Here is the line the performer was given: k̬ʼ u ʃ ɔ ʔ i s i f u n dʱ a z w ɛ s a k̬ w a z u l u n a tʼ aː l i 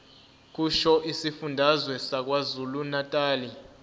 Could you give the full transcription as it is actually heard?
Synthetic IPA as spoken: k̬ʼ u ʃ ɔ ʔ i s i f u n dʱ a z w ɛ s a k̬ w a z u l u n a tʼ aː l i